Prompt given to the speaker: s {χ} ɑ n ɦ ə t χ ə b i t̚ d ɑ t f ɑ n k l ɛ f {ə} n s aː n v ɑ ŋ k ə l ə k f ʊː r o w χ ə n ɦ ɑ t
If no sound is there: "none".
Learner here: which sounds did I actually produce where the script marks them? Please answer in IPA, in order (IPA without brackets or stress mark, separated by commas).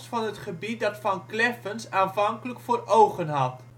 f, ə